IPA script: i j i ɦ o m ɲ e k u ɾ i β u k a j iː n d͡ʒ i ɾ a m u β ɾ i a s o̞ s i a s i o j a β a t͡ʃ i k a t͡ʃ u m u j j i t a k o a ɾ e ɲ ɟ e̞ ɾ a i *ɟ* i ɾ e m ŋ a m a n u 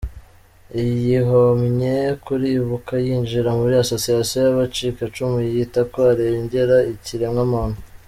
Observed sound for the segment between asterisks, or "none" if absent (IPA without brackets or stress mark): c